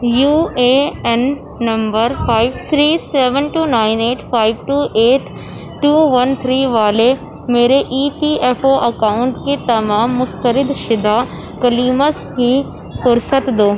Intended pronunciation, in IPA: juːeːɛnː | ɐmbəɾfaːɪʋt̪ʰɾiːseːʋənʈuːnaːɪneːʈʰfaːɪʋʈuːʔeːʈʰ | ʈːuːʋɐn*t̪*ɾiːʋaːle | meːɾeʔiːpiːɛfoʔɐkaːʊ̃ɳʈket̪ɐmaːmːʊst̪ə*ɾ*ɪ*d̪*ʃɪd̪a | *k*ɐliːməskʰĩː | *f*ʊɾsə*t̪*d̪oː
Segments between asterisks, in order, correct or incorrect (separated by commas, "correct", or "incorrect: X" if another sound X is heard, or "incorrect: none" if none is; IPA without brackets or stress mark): incorrect: t̪ʰ, correct, correct, correct, correct, correct